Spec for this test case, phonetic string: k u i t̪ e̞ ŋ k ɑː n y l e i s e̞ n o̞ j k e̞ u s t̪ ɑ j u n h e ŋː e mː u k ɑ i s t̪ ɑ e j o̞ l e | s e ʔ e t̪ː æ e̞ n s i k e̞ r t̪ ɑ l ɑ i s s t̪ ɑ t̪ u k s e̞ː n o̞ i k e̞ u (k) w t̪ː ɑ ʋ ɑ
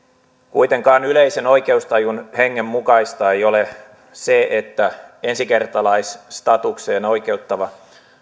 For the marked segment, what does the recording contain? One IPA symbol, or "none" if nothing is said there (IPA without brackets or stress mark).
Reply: none